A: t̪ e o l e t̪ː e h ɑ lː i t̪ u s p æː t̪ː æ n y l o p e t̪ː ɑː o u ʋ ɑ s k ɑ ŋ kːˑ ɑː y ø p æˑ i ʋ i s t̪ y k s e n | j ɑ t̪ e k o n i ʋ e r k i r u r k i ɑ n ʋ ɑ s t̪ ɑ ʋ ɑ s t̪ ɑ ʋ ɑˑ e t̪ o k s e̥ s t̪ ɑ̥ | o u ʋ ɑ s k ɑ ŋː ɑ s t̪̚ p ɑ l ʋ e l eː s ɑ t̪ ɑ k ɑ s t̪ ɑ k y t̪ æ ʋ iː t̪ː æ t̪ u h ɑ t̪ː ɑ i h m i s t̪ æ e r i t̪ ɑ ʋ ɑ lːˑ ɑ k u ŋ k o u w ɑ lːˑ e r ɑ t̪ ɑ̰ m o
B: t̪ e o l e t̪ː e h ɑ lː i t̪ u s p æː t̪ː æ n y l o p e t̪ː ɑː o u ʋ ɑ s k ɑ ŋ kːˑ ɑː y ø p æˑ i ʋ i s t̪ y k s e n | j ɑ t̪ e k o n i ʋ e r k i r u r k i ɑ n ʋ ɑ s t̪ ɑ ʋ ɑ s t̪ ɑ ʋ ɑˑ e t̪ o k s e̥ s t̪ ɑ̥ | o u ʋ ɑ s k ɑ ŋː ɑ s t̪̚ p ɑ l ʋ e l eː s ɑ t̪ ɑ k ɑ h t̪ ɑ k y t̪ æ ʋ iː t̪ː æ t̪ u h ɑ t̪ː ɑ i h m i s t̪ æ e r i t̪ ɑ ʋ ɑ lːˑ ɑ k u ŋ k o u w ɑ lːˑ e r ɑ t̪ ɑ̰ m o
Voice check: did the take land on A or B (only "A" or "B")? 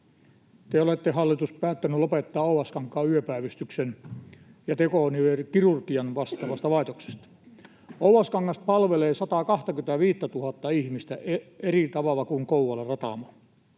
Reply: B